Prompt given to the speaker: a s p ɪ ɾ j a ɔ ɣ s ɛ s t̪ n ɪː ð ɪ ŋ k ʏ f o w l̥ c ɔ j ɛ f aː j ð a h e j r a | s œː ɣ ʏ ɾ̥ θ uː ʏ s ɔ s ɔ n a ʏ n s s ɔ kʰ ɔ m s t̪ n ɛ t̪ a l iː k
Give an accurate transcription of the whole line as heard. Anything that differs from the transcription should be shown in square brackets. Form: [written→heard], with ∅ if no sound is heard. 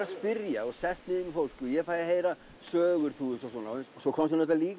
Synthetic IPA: a s p ɪ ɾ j a ɔ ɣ s ɛ s t̪ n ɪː ð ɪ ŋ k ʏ f o w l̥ c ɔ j ɛ f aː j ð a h e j [r→ɾ] a | s œː ɣ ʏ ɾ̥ θ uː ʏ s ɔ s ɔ n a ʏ n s s ɔ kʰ ɔ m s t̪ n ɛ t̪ a l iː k